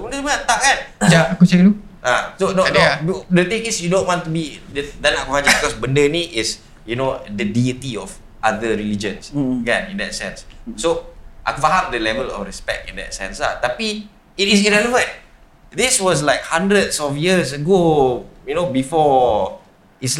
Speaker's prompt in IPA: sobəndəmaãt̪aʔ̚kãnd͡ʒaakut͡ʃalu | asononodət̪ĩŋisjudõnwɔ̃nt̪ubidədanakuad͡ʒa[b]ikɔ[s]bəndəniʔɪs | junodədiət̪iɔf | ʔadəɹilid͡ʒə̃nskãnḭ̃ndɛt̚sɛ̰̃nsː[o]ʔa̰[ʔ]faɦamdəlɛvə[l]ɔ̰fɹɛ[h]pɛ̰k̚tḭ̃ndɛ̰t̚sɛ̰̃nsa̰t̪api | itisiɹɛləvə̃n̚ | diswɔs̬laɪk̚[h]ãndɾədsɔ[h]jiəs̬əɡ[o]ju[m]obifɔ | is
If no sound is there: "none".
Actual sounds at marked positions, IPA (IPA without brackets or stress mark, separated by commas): b, s, o, k, l, s, h, f, o, n